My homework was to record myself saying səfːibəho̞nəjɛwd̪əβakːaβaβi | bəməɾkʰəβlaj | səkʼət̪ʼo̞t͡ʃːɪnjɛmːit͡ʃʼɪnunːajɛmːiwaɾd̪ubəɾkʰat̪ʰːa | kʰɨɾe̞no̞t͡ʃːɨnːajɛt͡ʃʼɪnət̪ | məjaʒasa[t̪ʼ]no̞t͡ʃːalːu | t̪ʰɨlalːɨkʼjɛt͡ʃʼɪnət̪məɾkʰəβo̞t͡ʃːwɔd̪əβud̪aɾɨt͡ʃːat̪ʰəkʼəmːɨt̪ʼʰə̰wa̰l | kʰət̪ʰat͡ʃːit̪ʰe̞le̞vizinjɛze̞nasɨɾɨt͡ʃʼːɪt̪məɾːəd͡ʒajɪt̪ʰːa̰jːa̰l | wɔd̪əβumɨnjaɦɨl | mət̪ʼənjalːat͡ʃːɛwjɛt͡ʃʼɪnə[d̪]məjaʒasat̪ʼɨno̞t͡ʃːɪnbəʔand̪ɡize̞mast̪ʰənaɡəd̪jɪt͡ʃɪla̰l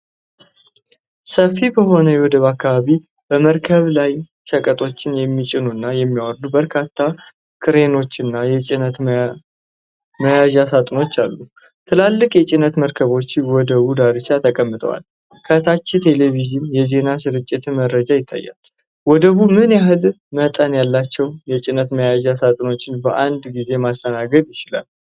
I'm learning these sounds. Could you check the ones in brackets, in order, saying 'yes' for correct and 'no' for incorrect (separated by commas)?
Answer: yes, no